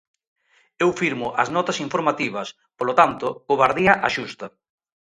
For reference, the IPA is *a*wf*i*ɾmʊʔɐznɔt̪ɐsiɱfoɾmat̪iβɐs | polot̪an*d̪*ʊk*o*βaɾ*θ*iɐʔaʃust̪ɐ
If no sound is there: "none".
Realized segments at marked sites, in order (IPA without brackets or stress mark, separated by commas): e, i, t̪, o, ð